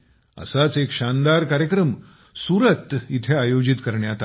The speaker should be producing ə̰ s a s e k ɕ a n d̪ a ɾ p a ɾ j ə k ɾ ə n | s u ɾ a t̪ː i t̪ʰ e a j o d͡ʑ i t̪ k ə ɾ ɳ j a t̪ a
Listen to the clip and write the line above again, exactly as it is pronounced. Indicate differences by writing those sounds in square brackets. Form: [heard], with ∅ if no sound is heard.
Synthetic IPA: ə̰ s a [t͡s] e k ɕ a n d̪ a ɾ [k] a ɾ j ə k ɾ ə [m] | s u ɾ [ə] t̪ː i t̪ʰ e a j o d͡ʑ i t̪ k ə ɾ ɳ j a t̪ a